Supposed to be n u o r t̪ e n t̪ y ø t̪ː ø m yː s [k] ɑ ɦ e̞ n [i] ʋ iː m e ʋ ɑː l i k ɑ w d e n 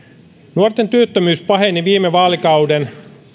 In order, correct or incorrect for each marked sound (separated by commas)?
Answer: incorrect, correct